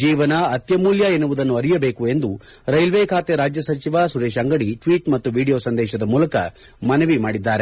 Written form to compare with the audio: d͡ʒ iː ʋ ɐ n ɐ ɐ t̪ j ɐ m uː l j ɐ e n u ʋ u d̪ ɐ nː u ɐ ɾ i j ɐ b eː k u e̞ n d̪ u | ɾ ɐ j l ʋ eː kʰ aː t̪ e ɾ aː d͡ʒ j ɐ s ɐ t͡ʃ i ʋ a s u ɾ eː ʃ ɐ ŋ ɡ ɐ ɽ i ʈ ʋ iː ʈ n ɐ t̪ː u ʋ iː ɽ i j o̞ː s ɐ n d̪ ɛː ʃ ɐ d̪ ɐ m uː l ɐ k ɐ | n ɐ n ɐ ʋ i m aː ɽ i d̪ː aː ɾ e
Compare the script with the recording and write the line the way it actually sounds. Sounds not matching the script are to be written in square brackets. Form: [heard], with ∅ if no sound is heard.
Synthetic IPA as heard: d͡ʒ iː ʋ ɐ n ɐ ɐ t̪ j ɐ m uː l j ɐ e n u ʋ u d̪ ɐ nː u ɐ ɾ i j ɐ b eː k u e̞ n d̪ u | ɾ ɐ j l ʋ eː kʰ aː t̪ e ɾ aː d͡ʒ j ɐ s ɐ t͡ʃ i ʋ a s u ɾ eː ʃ ɐ ŋ ɡ ɐ ɽ i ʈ ʋ iː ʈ [m] ɐ t̪ː u ʋ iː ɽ i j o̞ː s ɐ n d̪ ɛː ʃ ɐ d̪ ɐ m uː l ɐ k ɐ | [m] ɐ n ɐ ʋ i m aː ɽ i d̪ː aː ɾ e